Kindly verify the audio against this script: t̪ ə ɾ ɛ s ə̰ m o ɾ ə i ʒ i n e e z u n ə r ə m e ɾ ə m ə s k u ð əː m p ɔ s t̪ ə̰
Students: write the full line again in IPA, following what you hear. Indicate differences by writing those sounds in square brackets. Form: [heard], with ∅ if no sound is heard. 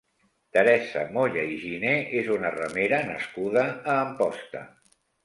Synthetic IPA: t̪ ə ɾ ɛ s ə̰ m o [ʎ] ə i ʒ i n e e z u n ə r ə m e ɾ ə [n] ə s k u ð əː m p ɔ s t̪ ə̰